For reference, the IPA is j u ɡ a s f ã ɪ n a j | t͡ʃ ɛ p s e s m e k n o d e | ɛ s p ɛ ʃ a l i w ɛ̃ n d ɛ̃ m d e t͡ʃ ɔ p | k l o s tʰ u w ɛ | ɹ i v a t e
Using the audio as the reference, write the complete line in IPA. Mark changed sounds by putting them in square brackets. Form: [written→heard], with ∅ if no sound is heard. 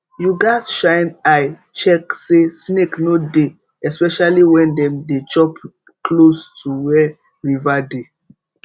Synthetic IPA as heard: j u ɡ a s [f→ʃ] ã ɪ n a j | t͡ʃ ɛ [p→k] s e s [m→n] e k n o d e | ɛ s p ɛ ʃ a l i w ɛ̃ n d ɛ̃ m d e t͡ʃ ɔ p | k l o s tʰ u w ɛ | ɹ i v a [t→d] e